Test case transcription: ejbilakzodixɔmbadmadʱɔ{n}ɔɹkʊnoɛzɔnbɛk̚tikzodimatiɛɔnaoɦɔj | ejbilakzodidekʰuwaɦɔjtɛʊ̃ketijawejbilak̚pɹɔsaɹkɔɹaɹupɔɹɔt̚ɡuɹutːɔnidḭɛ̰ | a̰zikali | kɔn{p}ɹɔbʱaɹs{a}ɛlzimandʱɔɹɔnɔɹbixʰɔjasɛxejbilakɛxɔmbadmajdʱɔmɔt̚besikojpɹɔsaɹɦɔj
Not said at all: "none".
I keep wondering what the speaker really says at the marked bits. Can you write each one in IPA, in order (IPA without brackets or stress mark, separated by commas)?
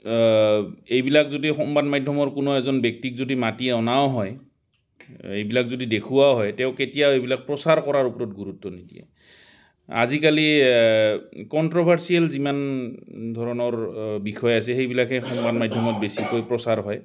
m, t, i